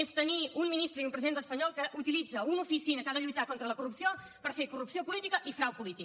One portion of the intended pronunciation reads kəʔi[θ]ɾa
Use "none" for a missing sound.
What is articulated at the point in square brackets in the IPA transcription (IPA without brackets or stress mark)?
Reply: f